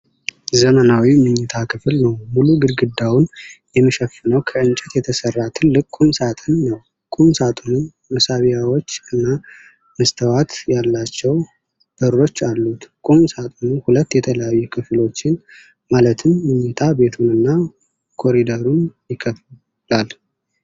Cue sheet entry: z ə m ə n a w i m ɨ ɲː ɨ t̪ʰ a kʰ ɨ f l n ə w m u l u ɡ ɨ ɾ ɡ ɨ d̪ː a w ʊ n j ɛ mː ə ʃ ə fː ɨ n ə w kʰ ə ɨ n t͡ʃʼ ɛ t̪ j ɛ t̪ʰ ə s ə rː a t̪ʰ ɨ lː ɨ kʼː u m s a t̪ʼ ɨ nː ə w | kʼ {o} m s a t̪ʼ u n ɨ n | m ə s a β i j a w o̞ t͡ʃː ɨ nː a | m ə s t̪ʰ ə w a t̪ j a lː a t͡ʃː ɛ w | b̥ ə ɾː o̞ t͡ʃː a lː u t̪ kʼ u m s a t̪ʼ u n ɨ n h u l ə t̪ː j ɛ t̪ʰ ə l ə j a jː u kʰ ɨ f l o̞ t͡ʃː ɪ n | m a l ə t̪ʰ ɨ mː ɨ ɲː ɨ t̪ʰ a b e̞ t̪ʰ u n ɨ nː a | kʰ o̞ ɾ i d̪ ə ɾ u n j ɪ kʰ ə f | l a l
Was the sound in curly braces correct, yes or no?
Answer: no